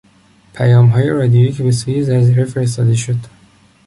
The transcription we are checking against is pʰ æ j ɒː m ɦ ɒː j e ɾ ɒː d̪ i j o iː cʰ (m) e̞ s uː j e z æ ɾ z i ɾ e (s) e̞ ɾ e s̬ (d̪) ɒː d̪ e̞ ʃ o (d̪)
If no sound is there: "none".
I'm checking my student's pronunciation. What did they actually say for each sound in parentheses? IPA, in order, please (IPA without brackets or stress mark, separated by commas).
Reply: b, f, t̪, d̪